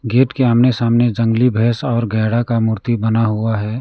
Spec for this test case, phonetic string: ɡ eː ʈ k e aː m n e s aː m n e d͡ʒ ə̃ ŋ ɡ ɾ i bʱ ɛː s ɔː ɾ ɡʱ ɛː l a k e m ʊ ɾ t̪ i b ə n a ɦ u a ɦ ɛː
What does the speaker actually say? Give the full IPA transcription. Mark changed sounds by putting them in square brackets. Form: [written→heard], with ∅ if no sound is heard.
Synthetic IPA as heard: ɡ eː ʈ k e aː m n e s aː m n e d͡ʒ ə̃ ŋ ɡ [ɾ→l] i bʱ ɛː s ɔː ɾ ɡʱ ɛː [l→ɽ] a k [e→a] m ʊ ɾ t̪ i b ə n a ɦ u a ɦ ɛː